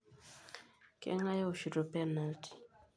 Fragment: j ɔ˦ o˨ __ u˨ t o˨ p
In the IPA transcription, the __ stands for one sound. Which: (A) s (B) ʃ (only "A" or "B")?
B